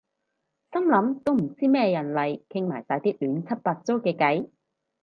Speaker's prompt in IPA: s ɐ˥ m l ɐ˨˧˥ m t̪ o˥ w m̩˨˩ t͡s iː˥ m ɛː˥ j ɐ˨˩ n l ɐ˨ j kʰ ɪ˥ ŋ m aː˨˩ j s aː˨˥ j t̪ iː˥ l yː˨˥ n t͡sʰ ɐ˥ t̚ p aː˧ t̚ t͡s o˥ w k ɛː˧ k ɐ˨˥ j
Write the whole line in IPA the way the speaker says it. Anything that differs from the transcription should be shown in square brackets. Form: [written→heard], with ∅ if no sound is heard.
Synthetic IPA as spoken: s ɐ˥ m l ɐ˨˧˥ m t̪ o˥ w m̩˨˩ t͡s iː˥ m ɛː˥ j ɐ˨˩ n l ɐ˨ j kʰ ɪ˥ ŋ m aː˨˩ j s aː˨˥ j t̪ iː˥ l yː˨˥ n t͡sʰ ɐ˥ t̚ p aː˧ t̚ t͡s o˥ w k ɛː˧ k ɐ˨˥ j